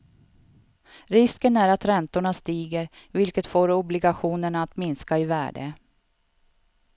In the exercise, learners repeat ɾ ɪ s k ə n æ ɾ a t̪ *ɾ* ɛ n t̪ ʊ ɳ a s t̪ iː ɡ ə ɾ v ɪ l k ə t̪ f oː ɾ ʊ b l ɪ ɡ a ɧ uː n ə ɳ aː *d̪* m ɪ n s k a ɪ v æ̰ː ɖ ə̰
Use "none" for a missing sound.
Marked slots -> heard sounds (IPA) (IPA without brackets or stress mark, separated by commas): ɾ, t̪